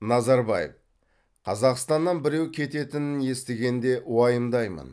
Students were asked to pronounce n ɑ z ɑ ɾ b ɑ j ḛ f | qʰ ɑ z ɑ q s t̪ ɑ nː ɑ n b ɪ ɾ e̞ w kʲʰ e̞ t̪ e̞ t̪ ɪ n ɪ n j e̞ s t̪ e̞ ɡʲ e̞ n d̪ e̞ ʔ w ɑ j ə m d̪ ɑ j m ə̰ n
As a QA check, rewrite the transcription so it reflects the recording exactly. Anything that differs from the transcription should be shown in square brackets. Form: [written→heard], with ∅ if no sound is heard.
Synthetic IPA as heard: n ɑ z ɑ ɾ b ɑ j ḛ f | qʰ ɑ z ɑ q s t̪ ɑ nː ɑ n b ɪ ɾ e̞ w kʲʰ e̞ t̪ e̞ t̪ ɪ n ɪ n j e̞ s t̪ e̞ ɡʲ e̞ n d̪ e̞ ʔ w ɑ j ə m d̪ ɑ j m ə̰ n